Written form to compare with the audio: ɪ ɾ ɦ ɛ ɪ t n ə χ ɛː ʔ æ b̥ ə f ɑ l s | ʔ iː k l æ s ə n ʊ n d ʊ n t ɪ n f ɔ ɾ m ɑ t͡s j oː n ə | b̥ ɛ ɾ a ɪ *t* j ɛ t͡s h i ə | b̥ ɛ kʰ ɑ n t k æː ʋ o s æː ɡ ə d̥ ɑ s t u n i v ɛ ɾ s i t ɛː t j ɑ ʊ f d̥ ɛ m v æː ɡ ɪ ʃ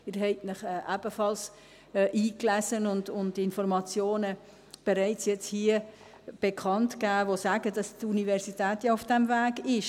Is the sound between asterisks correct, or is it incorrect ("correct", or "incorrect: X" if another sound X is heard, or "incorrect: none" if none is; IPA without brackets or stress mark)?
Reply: incorrect: t͡s